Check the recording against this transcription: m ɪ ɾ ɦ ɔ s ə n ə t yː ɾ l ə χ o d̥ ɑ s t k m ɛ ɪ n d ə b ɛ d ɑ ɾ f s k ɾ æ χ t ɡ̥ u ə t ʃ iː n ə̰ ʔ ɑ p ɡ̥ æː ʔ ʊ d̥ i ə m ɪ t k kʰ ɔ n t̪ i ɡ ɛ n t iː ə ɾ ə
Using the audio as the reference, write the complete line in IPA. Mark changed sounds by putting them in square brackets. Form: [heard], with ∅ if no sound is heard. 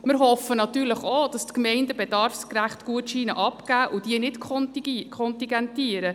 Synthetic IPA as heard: m ɪ ɾ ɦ ɔ [f] ə n [ɑ] t yː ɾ l ə χ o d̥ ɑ s t k m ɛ ɪ n d ə b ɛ d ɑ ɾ f s k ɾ æ χ t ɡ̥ u ə t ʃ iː n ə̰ ʔ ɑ p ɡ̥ æː ʔ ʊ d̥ i ə [n] ɪ t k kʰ ɔ n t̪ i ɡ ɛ n t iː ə ɾ ə